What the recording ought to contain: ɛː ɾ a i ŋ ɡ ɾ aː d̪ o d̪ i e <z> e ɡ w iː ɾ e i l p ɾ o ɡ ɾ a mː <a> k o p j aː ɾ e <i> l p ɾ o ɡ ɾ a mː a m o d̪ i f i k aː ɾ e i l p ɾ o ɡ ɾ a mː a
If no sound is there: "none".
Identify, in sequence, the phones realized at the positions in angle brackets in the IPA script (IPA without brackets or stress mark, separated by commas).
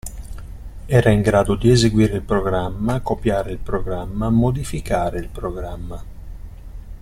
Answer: z, a, i